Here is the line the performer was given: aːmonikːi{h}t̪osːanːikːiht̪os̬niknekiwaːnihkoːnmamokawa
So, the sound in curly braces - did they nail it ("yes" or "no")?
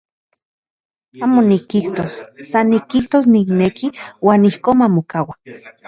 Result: yes